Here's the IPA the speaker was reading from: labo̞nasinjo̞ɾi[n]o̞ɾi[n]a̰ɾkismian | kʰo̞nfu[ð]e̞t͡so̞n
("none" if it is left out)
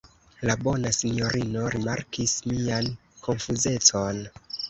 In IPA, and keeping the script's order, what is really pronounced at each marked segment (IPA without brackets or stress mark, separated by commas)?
n, m, z